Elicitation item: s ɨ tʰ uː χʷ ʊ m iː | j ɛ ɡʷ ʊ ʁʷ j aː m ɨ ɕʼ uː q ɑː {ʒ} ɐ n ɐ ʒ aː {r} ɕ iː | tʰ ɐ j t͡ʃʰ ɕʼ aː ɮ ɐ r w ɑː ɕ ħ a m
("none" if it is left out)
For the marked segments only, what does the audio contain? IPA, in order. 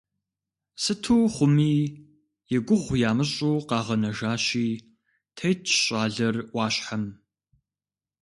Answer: ʁ, none

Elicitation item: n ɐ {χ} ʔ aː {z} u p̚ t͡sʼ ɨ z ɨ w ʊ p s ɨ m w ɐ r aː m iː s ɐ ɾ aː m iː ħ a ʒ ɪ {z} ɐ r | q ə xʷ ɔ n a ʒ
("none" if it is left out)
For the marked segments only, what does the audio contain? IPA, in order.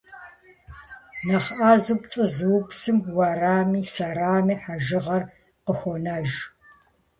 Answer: χ, z, ʁ

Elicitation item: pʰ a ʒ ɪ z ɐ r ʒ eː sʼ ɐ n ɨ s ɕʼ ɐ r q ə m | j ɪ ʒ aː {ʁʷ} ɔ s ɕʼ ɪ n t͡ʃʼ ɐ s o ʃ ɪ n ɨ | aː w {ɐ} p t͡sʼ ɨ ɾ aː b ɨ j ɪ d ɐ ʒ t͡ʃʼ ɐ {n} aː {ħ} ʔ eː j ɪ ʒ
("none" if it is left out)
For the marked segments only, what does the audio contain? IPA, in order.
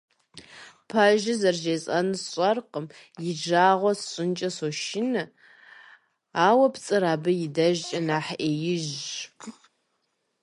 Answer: ʁʷ, ɐ, n, ħ

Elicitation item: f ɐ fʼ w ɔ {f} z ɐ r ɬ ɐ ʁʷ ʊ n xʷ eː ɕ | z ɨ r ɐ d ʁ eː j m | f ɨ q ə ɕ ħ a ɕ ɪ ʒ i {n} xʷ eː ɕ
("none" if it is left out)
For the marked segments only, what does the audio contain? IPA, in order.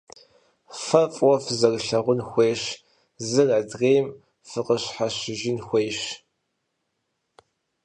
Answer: f, n

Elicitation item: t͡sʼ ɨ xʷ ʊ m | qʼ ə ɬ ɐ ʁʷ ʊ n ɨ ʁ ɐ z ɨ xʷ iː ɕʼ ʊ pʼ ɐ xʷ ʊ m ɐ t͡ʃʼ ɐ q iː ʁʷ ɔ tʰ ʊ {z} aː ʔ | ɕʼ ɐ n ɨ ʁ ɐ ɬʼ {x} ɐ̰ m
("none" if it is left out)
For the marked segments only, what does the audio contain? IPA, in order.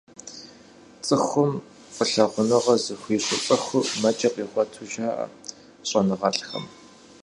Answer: ʒ, x

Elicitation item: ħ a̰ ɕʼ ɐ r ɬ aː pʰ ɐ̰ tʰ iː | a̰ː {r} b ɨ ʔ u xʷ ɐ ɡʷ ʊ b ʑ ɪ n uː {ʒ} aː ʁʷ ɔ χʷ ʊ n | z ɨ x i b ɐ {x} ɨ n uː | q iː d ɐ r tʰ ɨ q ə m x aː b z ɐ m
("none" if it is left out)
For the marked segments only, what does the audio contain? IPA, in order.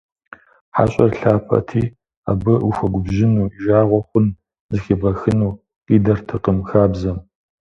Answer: none, ʒ, x

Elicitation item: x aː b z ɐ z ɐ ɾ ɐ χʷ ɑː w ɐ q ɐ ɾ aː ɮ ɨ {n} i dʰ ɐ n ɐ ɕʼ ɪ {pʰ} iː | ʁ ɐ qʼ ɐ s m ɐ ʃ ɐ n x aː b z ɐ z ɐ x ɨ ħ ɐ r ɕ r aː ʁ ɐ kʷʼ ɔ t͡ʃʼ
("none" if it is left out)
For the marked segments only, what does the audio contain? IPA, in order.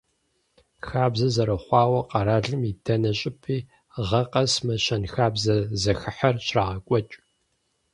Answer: m, pʰ

